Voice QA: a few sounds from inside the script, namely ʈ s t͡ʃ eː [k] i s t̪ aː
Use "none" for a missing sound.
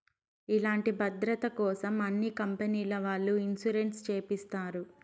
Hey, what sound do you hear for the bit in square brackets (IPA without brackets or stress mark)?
p